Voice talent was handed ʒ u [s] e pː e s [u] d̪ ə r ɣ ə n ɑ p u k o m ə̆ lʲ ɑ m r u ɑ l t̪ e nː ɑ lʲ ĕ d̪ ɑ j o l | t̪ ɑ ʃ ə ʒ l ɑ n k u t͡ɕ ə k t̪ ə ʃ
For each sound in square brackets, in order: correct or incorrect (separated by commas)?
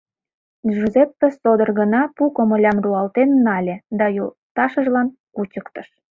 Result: incorrect, incorrect